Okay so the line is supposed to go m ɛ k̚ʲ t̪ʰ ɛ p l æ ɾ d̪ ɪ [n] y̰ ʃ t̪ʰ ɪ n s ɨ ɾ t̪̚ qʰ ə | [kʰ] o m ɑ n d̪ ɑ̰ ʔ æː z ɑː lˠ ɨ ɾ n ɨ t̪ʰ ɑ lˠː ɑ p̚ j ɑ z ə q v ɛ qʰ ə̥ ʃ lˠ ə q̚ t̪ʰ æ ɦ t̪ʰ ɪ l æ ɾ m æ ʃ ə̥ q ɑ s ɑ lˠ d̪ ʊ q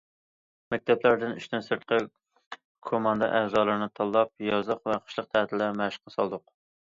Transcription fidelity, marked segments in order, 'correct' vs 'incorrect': correct, correct

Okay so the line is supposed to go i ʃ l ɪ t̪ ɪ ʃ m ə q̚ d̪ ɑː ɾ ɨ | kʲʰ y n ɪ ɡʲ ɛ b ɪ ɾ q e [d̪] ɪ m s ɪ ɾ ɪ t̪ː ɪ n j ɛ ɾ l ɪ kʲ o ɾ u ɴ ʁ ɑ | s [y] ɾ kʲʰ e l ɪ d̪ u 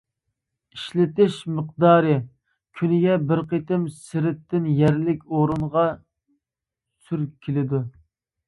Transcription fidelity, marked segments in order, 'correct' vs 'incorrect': incorrect, correct

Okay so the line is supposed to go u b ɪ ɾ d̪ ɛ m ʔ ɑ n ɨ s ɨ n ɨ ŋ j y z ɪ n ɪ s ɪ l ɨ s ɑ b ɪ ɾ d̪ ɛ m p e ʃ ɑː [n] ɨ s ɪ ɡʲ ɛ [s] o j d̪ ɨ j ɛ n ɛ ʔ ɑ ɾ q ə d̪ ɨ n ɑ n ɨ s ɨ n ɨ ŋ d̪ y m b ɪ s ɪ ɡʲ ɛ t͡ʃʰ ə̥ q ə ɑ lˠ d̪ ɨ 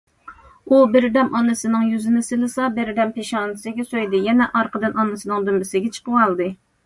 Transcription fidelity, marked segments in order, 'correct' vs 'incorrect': correct, correct

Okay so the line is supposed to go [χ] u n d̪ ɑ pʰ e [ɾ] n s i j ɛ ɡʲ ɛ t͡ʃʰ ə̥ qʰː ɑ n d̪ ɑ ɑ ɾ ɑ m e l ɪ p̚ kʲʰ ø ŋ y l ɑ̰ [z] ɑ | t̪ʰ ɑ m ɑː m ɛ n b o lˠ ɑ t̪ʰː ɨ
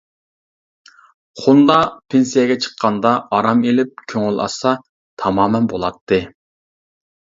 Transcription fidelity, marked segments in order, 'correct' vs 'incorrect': correct, incorrect, incorrect

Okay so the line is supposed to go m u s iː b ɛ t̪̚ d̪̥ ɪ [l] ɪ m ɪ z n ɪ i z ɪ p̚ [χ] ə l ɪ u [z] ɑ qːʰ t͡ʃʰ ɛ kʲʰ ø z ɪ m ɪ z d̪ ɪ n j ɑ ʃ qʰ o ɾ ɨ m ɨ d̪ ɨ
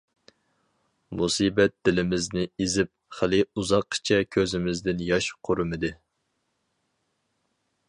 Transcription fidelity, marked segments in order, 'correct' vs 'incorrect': correct, correct, correct

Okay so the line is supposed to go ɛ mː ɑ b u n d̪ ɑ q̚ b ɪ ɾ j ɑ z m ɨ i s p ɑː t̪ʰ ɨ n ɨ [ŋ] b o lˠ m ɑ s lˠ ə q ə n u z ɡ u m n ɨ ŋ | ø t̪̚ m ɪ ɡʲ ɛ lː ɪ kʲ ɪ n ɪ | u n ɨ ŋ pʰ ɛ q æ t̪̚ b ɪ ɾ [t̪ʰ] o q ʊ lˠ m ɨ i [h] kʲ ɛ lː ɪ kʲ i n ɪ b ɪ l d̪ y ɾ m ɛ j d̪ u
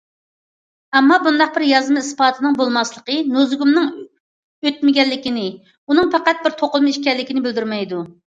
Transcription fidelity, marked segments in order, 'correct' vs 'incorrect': correct, correct, incorrect

